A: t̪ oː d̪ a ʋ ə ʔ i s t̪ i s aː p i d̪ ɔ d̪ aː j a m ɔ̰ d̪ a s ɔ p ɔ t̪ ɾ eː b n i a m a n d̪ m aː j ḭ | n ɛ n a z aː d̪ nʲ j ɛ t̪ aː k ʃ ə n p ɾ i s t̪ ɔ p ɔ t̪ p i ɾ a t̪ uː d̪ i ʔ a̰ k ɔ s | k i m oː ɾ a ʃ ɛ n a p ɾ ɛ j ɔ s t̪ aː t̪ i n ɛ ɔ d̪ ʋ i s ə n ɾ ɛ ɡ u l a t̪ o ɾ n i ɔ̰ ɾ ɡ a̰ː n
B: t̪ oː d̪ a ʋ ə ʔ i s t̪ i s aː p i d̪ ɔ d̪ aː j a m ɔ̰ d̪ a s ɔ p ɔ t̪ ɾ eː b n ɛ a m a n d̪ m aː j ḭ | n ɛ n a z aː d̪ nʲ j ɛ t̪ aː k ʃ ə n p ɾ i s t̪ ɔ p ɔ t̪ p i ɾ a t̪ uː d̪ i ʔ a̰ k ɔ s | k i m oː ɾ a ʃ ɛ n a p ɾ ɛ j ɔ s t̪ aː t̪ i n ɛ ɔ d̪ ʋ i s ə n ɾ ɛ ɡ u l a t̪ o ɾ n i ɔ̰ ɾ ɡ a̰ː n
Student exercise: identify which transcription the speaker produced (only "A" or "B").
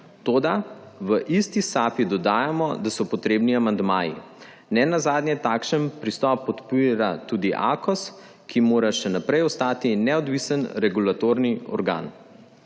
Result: A